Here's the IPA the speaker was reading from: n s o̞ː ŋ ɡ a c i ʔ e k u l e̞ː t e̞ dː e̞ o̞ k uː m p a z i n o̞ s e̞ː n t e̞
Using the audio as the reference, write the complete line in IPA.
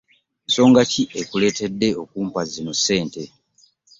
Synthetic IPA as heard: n s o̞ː ŋ ɡ a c i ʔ e k u l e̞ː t e̞ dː e̞ o̞ k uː m p a z i n o̞ s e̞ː n t e̞